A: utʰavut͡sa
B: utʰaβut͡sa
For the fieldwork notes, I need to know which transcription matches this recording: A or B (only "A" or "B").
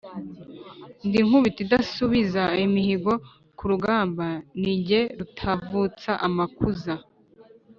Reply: A